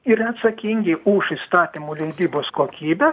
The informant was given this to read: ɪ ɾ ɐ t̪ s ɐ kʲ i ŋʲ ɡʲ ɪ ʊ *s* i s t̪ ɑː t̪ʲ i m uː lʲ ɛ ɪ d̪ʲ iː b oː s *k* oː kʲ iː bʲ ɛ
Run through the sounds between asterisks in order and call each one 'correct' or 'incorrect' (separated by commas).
incorrect, correct